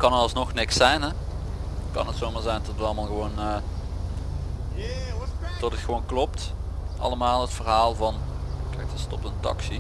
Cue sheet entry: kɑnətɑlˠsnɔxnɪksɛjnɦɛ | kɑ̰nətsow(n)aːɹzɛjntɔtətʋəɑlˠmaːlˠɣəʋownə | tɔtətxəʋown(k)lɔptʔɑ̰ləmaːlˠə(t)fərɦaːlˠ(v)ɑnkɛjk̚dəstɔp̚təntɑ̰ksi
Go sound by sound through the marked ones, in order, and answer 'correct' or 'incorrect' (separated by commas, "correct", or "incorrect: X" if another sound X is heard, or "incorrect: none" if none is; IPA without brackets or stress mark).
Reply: incorrect: m, correct, correct, correct